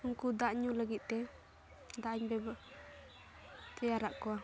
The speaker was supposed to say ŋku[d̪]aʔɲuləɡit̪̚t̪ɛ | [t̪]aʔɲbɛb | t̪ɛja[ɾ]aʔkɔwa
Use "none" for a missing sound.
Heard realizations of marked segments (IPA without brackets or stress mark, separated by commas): d̪, d̪, ɾ